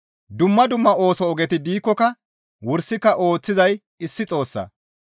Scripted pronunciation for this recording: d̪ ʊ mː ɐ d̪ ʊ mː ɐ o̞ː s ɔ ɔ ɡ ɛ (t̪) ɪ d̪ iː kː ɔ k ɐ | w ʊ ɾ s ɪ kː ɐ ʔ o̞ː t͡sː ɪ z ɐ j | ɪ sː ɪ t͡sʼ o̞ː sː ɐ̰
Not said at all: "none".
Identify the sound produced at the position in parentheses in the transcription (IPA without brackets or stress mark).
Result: t̪